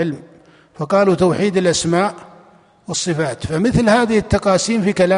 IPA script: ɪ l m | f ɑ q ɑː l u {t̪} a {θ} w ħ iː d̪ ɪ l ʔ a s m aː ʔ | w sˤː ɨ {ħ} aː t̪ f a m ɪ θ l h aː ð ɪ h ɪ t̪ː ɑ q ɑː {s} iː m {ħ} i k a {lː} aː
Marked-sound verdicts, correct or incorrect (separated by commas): correct, incorrect, incorrect, correct, incorrect, incorrect